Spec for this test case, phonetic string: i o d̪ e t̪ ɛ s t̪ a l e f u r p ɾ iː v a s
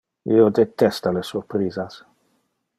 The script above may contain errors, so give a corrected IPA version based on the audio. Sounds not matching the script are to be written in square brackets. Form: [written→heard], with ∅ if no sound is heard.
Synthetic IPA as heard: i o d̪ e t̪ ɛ s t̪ a l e [f→s] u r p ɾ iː [v→z] a s